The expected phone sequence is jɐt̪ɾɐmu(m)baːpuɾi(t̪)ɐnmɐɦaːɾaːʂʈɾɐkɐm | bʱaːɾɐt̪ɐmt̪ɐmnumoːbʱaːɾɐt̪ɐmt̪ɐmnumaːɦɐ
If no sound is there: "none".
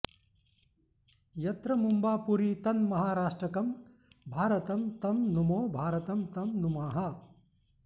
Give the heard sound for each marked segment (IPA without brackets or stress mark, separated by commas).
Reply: m, t̪